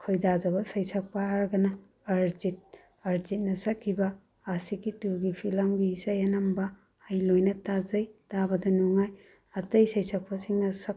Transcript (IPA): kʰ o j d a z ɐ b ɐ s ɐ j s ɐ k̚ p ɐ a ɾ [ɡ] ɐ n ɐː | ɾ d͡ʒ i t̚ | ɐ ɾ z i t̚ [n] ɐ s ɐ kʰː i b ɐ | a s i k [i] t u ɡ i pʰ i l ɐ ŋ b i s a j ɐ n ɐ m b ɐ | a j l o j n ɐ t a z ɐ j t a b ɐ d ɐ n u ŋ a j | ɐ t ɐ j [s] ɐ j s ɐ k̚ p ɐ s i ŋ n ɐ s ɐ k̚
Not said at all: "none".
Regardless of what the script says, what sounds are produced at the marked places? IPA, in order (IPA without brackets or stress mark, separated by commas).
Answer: ɡ, n, i, s